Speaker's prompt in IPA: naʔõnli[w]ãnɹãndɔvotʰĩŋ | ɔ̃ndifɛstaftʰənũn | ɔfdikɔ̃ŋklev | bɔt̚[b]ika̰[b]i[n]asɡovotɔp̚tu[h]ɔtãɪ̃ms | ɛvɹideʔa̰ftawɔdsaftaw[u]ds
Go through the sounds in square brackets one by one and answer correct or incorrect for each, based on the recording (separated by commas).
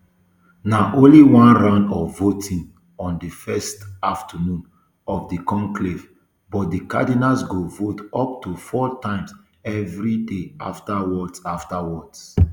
correct, incorrect, incorrect, correct, incorrect, incorrect